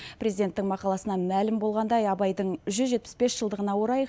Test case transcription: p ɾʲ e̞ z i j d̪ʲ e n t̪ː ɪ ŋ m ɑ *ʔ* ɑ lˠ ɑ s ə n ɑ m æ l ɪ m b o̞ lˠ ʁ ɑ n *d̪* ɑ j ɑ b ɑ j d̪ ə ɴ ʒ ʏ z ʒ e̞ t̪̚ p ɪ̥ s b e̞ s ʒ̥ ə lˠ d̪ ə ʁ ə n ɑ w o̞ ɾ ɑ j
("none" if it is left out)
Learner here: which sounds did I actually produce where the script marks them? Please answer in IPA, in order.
q, d̪

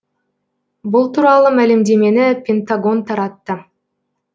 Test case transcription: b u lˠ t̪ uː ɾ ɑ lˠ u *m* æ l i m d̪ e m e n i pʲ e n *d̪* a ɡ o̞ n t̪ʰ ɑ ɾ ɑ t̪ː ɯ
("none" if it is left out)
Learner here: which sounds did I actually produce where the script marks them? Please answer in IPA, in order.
m, t̪

